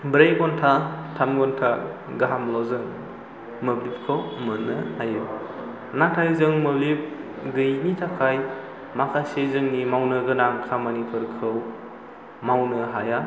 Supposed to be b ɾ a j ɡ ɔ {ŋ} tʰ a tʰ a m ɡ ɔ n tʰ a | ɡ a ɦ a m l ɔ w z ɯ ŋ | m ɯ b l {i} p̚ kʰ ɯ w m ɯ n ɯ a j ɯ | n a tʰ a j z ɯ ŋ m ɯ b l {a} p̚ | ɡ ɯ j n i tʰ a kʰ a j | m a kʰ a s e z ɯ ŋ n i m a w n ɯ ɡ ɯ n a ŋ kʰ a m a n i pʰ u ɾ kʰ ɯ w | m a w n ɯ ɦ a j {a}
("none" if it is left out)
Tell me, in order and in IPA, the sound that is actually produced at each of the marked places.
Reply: n, i, i, a

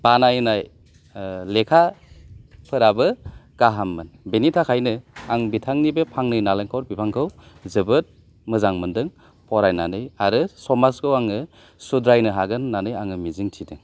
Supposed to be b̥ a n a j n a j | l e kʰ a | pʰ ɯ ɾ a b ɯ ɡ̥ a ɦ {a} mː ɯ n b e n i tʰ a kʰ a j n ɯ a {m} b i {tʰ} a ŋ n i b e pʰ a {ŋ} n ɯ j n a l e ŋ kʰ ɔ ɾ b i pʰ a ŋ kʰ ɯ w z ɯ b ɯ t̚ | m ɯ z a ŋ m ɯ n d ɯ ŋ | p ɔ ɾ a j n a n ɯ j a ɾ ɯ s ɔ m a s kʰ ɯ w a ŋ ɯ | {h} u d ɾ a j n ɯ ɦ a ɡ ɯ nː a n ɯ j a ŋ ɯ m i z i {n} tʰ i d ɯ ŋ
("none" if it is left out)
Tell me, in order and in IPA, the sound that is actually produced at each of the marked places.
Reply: a, ŋ, tʰ, ŋ, s, ŋ

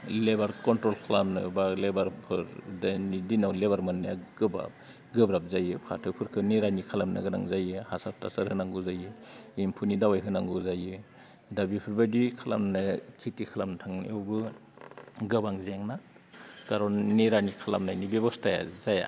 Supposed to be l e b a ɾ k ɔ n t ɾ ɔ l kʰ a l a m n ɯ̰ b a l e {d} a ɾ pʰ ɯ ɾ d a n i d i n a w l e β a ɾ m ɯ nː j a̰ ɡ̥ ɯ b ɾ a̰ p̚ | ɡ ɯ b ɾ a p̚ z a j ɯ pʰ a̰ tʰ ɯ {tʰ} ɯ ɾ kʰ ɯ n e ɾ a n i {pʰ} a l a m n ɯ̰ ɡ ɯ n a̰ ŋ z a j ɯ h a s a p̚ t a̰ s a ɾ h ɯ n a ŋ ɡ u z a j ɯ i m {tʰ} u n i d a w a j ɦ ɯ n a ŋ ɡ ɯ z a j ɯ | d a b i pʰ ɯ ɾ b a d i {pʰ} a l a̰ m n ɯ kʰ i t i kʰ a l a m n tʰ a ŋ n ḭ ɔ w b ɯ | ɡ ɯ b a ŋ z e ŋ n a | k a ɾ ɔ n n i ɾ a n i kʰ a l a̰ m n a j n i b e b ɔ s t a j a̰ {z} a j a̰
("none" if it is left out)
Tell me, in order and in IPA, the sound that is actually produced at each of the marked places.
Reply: b, pʰ, kʰ, pʰ, kʰ, z

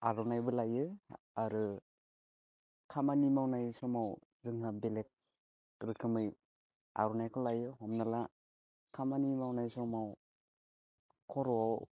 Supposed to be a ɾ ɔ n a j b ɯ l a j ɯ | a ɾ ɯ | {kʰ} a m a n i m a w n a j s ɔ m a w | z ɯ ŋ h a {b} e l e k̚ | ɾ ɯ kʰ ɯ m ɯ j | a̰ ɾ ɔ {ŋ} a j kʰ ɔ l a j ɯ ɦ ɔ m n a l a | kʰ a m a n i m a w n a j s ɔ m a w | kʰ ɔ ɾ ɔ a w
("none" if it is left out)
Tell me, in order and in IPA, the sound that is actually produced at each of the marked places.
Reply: kʰ, b, n

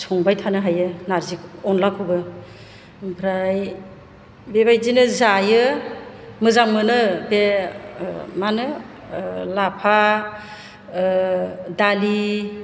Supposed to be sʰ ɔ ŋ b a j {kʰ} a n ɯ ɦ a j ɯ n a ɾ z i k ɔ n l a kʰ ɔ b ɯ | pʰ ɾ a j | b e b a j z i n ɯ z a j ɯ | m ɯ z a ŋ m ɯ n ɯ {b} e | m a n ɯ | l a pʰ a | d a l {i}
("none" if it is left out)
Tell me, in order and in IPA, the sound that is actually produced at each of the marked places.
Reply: tʰ, b, i

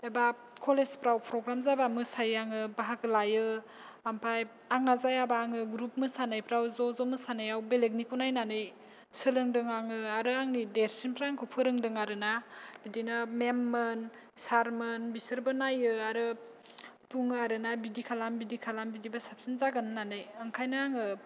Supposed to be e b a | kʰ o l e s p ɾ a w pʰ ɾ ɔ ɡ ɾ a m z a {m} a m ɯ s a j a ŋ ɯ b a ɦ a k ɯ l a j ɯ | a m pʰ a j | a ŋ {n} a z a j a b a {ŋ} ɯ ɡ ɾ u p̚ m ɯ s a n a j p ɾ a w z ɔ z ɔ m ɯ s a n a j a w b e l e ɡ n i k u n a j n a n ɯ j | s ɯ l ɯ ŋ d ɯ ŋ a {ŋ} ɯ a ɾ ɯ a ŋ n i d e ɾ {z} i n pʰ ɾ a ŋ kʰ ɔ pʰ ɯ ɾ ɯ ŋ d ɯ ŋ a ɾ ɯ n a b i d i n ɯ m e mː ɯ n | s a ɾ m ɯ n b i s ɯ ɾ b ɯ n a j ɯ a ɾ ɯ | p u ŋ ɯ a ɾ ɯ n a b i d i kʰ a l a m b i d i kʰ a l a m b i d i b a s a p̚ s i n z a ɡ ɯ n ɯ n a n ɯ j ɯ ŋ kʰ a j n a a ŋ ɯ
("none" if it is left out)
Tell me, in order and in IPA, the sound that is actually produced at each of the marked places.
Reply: b, n, ŋ, ŋ, s

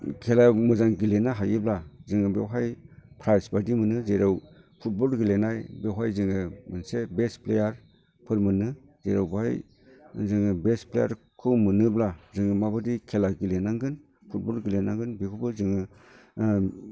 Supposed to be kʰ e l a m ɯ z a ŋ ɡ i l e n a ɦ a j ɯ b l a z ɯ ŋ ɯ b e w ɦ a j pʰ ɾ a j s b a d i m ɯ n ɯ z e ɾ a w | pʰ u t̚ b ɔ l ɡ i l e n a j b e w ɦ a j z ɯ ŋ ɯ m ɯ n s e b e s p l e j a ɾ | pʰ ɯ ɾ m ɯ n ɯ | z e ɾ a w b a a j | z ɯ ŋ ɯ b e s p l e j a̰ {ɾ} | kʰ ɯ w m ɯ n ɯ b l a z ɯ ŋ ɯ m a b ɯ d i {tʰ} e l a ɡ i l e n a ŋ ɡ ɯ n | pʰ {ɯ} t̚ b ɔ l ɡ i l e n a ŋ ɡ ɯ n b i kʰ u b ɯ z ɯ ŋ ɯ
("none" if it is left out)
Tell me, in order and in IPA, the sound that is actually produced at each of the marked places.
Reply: ɾ, kʰ, u

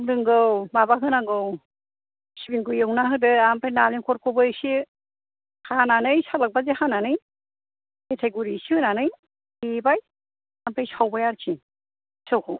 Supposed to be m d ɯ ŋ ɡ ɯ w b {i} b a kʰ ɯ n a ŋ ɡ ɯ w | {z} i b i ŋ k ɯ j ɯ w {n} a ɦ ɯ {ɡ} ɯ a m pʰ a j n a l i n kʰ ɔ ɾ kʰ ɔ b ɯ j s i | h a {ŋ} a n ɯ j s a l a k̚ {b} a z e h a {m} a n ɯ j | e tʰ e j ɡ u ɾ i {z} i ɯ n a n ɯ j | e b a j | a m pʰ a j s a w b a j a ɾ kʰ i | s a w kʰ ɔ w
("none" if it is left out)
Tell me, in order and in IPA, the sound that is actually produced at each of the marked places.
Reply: a, s, n, d, n, b, n, s

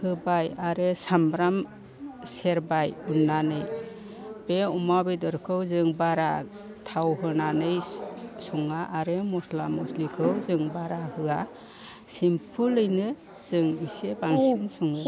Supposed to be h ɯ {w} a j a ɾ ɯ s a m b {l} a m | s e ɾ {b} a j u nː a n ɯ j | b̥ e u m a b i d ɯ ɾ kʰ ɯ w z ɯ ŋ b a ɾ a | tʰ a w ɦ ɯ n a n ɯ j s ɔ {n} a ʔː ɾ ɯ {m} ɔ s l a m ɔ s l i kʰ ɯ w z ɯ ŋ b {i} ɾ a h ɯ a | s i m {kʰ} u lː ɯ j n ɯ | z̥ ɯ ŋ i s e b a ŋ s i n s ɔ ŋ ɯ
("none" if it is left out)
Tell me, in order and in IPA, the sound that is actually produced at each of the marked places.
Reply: b, ɾ, b, ŋ, m, a, pʰ

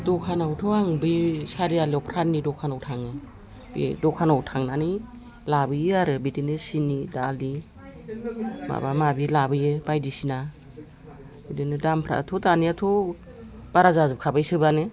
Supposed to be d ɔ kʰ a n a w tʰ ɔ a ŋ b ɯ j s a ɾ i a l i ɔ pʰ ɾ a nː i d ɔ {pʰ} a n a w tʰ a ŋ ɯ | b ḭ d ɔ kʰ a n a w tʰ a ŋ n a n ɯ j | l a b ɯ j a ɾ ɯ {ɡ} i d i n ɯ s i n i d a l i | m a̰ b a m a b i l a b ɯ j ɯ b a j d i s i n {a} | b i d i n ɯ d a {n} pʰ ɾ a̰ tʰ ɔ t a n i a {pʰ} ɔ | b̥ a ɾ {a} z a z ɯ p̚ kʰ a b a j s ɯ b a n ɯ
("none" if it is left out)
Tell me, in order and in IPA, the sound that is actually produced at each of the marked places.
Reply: kʰ, b, a, m, tʰ, a

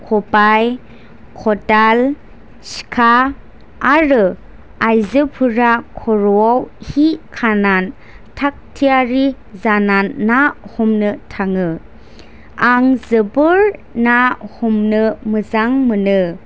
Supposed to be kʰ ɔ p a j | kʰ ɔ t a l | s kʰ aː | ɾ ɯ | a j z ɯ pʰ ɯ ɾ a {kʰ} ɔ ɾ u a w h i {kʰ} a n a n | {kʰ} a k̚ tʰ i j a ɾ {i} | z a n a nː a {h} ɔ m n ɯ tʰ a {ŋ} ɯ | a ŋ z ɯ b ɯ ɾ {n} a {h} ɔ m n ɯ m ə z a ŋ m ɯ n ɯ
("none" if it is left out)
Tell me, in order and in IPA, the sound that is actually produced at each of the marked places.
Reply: kʰ, kʰ, tʰ, i, h, ŋ, n, h

